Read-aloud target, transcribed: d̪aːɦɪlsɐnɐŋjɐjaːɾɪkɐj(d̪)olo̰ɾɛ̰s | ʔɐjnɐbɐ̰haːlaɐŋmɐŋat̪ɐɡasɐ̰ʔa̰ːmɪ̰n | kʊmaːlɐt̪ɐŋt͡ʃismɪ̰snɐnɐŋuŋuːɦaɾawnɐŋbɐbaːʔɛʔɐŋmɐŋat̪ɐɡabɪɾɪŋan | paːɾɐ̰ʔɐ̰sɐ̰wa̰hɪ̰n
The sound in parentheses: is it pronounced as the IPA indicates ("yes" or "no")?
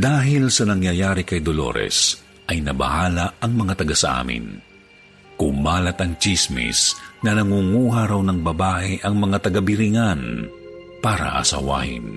yes